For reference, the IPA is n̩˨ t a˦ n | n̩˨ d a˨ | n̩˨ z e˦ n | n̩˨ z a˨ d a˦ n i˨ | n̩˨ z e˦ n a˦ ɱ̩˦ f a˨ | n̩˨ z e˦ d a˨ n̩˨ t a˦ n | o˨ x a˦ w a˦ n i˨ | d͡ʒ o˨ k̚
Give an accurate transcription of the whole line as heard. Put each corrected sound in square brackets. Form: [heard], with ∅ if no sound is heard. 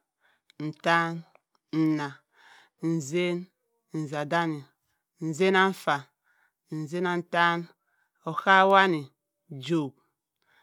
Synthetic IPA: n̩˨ t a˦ n | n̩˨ [n] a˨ | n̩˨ z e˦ n | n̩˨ z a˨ d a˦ n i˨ | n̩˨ z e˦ n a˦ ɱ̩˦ f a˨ | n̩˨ z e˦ [n] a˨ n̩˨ t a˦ n | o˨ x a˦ w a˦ n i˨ | d͡ʒ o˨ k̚

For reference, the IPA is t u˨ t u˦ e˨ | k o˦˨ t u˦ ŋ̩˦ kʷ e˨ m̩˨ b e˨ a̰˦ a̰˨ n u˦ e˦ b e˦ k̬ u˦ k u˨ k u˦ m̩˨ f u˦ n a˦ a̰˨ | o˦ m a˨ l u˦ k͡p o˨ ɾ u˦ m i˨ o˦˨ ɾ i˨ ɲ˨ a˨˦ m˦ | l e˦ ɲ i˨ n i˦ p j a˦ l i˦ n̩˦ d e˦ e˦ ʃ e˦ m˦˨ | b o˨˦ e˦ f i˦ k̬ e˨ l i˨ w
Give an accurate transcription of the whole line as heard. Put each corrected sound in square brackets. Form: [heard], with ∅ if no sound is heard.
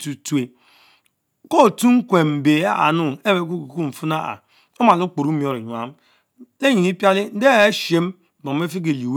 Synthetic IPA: t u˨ t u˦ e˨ | k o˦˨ t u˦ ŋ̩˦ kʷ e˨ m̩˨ b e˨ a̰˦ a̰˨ n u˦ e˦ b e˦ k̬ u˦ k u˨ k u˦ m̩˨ f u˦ n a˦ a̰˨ | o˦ m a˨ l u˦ k͡p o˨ ɾ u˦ m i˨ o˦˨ ɾ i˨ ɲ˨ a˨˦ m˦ | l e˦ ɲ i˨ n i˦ p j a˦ l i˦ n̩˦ d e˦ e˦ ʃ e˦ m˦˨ | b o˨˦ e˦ f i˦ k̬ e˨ l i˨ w

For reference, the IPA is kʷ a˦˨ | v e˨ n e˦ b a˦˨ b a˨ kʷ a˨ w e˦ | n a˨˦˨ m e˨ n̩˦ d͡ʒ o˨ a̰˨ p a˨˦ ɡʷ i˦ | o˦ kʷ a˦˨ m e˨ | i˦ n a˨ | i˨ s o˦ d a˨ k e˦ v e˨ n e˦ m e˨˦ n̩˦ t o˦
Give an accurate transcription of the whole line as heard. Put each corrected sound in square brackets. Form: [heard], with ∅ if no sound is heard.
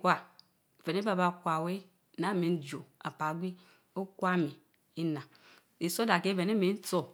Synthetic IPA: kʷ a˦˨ | v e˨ n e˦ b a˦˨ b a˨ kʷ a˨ w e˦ | n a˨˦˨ m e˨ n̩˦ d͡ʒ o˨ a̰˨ p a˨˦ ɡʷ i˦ | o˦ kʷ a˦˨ m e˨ | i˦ n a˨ | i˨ s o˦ d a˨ k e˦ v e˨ n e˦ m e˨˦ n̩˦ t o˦

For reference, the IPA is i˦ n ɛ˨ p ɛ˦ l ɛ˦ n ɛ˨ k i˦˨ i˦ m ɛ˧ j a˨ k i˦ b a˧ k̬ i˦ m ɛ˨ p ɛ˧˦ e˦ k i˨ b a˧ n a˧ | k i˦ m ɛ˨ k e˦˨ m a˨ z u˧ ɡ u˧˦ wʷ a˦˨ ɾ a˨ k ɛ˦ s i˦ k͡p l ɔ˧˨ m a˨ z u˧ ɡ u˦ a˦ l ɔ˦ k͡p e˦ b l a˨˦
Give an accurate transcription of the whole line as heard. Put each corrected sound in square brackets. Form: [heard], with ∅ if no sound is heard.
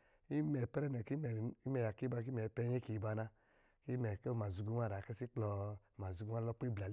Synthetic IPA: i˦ [m] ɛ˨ p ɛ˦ [ɾ] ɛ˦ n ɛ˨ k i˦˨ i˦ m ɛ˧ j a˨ k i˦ b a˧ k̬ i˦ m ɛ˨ p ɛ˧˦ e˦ k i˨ b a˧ n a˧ | k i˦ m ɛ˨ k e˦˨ m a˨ z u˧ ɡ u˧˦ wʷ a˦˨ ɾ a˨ k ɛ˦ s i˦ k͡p l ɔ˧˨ m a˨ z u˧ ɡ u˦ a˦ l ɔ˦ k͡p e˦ b l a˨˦

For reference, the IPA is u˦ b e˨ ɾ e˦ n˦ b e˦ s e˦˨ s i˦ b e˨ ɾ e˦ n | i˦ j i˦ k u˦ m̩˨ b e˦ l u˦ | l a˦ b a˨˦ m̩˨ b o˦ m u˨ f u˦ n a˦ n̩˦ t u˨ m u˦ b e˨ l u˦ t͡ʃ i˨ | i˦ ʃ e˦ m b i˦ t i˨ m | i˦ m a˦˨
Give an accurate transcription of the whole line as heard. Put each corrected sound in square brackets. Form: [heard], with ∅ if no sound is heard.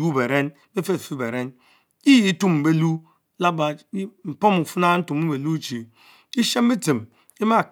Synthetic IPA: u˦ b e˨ ɾ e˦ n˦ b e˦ [f] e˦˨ [f] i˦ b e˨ ɾ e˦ n | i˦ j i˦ [t] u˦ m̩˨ b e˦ l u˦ | l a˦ b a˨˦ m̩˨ [p] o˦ m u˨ f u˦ n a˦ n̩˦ t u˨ m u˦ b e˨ l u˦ t͡ʃ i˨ | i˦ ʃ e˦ m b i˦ t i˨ m | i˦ m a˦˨

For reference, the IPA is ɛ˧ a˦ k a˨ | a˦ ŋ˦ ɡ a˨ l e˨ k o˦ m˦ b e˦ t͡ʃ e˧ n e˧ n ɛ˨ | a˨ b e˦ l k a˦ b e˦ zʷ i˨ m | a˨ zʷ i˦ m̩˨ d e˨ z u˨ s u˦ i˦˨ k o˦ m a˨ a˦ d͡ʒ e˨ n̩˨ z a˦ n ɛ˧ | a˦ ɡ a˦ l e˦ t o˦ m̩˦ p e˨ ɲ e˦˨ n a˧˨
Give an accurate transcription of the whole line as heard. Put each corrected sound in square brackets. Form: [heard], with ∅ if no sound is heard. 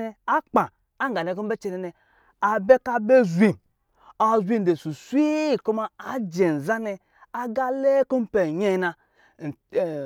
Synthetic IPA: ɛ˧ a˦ [k͡p] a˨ | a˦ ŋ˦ ɡ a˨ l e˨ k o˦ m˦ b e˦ t͡ʃ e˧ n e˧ n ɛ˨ | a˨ b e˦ [∅] k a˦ b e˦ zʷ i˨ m | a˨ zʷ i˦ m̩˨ d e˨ [s] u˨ s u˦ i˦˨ k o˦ m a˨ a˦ d͡ʒ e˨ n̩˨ z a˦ n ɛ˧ | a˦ ɡ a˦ l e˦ [k] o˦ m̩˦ p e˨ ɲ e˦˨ n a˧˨

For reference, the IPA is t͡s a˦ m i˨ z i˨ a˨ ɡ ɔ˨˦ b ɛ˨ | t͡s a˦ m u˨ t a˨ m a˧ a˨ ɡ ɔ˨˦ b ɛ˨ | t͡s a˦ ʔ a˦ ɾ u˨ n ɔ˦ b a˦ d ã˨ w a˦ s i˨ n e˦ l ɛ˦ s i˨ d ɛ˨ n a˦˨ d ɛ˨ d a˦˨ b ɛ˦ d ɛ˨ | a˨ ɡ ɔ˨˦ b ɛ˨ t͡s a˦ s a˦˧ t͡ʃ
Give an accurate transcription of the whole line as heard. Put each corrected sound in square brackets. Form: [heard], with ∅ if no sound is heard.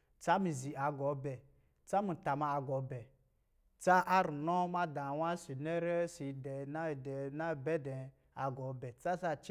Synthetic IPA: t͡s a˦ m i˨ z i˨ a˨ ɡ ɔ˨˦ b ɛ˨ | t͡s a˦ m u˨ t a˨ m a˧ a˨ ɡ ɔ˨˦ b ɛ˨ | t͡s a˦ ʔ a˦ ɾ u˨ n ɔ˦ [m] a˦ d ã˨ w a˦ s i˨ n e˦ [ɾ] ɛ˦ s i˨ d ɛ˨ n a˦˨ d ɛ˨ [n] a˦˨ b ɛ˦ d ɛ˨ | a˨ ɡ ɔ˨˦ b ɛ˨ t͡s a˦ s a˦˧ t͡ʃ

